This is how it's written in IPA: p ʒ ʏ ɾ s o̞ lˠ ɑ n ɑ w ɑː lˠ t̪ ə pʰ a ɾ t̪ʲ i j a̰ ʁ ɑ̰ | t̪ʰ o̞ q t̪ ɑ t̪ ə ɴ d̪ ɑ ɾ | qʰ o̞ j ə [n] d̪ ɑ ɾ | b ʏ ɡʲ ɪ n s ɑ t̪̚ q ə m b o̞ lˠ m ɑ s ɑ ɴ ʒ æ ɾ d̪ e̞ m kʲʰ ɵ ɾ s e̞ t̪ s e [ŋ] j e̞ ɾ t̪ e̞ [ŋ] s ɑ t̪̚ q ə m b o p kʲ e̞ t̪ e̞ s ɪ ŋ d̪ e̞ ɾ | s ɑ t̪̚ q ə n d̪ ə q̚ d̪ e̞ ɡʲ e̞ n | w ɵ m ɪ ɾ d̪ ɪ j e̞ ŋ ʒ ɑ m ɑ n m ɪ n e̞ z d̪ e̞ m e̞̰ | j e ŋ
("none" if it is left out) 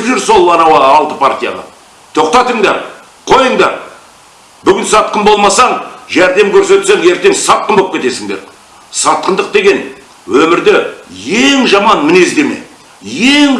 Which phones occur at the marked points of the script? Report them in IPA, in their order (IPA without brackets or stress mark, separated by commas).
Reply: ɴ, ŋ, ŋ